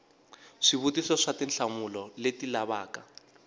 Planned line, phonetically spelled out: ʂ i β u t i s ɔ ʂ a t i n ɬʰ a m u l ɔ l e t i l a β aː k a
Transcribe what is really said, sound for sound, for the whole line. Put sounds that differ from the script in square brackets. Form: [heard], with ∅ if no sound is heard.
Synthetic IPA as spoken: ʂ i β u t i s ɔ ʂ a t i n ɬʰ a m u l ɔ l e t i l a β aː k a